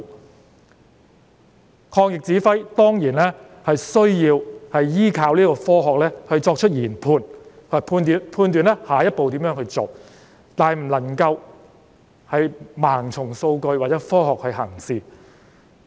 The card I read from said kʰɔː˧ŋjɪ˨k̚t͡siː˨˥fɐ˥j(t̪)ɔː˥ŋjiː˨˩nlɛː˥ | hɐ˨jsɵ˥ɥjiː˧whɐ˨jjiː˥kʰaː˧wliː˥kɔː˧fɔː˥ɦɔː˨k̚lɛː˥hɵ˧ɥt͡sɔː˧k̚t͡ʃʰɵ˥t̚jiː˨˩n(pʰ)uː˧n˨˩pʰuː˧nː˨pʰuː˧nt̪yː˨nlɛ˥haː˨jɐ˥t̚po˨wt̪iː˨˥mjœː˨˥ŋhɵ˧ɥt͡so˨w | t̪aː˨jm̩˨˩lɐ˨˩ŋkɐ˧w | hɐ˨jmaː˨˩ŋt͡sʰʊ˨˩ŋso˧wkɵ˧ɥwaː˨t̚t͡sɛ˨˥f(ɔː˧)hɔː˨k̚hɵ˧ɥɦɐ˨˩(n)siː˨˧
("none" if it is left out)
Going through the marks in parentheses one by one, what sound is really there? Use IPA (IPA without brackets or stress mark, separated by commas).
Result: t̪, pʰ, ɔː˥, ŋ